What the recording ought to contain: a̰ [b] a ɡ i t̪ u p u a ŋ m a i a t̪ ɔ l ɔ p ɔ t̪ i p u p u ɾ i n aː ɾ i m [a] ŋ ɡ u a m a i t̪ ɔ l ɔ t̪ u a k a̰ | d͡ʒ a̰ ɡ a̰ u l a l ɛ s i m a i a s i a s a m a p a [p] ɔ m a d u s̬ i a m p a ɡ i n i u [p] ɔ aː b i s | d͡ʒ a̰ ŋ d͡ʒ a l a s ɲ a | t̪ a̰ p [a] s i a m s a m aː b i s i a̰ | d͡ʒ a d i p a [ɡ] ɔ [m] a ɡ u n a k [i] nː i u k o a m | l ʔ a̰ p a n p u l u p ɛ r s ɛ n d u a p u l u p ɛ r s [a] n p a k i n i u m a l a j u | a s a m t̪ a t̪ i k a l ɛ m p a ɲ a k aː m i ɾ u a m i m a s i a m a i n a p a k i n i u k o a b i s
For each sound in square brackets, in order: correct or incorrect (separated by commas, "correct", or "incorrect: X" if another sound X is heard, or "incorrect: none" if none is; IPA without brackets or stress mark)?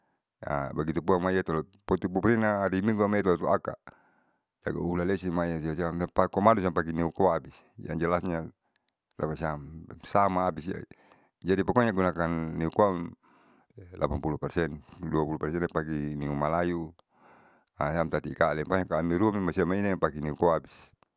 correct, incorrect: i, incorrect: k, incorrect: k, correct, incorrect: k, incorrect: ɲ, incorrect: a, incorrect: ɛ